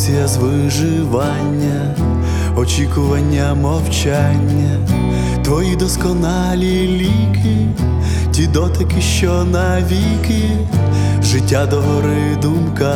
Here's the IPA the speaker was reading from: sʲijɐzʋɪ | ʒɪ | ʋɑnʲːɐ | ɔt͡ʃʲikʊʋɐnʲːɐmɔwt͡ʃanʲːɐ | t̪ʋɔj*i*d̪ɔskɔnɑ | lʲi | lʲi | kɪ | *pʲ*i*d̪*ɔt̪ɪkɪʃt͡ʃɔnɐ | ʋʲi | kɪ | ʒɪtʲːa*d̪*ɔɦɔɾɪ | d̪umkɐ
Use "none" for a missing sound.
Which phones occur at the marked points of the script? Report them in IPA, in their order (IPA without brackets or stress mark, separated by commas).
i, tʲ, d̪, d̪